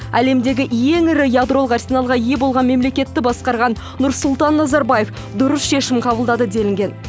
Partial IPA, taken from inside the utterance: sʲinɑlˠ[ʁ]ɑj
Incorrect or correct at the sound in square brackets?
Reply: correct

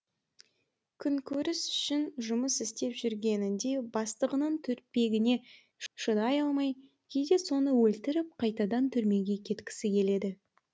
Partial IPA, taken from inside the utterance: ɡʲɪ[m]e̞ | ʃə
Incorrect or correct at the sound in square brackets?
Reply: incorrect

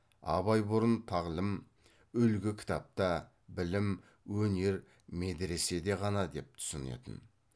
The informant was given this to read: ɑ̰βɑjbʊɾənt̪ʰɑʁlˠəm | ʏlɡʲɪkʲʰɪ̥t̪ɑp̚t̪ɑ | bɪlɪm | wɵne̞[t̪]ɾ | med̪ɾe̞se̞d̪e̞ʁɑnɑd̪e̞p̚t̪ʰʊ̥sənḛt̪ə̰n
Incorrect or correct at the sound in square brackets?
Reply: incorrect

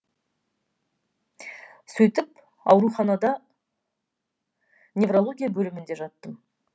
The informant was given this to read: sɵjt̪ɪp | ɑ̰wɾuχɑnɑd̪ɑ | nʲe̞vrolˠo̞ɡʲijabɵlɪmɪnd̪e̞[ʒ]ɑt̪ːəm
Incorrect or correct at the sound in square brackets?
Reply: correct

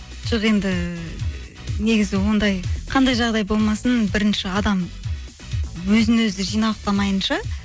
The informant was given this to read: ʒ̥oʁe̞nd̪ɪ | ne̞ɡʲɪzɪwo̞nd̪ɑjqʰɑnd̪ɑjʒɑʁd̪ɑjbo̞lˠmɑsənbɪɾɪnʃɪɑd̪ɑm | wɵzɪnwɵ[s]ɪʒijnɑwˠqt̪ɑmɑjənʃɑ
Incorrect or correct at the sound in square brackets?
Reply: incorrect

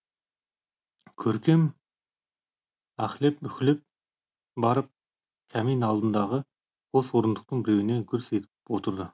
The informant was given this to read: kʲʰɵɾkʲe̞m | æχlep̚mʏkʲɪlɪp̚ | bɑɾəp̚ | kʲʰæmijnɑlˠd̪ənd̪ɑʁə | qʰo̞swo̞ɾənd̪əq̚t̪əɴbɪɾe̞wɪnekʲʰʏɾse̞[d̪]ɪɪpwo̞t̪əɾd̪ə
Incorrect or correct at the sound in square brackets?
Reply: incorrect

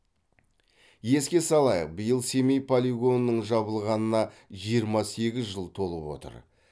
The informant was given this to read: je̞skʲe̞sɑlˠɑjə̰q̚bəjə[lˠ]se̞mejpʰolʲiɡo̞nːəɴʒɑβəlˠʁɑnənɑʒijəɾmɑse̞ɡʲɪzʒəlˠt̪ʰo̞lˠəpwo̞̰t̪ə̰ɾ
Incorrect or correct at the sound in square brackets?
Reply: correct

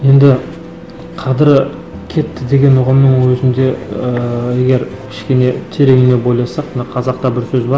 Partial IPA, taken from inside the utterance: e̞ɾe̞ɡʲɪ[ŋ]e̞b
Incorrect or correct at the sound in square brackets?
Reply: incorrect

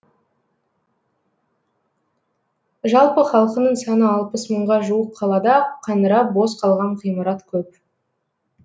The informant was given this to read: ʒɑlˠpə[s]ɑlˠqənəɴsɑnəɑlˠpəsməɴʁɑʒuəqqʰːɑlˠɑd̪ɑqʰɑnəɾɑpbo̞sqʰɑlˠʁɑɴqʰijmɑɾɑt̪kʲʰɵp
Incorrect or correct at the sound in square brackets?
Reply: incorrect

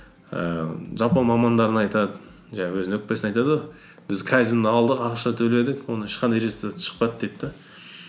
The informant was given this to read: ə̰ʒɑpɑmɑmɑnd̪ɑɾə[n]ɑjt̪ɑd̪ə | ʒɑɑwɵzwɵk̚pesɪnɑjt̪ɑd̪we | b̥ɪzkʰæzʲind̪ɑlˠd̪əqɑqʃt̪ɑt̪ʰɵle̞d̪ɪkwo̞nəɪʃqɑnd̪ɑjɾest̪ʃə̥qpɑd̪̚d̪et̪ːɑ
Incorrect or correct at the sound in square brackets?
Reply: correct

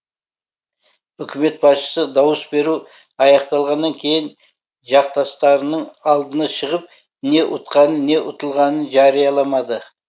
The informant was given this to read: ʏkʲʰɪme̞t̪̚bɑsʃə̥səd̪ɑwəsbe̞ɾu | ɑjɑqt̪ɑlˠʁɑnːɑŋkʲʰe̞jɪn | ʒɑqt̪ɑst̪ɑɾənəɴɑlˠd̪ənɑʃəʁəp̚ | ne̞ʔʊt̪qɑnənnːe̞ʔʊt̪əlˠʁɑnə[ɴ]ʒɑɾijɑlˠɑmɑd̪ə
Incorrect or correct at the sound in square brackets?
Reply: incorrect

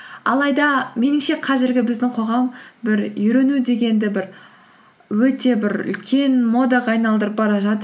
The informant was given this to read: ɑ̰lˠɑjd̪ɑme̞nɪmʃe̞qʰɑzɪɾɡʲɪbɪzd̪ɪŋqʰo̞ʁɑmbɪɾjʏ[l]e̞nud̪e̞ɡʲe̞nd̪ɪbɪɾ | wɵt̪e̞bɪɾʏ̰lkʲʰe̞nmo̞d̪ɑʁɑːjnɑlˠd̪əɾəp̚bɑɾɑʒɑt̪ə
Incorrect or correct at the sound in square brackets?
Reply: incorrect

